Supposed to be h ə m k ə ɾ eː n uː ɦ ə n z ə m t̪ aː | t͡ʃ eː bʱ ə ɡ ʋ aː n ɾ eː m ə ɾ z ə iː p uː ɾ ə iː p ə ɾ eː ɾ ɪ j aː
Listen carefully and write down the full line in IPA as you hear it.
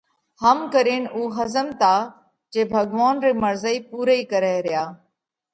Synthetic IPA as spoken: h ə m k ə ɾ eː n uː ɦ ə z ə m t̪ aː | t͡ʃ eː bʱ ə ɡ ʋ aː n ɾ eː m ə ɾ z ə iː p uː ɾ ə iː k ə ɾ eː ɾ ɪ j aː